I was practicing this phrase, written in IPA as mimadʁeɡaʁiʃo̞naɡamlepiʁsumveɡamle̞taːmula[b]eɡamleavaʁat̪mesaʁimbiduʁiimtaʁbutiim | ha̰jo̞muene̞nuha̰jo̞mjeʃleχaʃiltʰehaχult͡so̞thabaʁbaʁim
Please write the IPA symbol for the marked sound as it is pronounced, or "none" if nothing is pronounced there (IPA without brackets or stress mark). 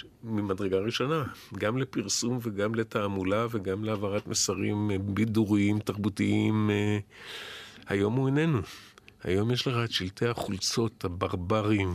v